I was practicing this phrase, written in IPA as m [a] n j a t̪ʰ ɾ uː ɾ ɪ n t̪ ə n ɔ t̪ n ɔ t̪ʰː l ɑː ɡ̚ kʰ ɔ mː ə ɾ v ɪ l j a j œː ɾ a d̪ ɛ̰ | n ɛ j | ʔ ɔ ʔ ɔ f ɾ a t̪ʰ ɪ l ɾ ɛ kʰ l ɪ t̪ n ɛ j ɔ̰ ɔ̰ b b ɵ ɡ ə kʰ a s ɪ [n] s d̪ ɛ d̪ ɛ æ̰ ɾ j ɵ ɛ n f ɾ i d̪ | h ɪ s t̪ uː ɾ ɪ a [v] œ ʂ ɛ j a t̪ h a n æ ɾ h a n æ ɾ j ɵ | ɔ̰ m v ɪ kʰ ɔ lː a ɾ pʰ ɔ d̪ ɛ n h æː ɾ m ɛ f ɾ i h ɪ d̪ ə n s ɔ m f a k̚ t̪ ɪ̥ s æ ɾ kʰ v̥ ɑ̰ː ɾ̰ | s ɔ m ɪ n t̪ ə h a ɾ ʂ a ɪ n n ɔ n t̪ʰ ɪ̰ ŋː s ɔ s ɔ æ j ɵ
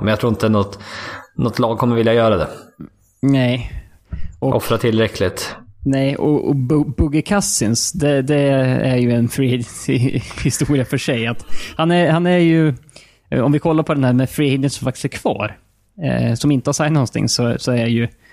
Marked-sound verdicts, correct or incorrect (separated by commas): incorrect, correct, incorrect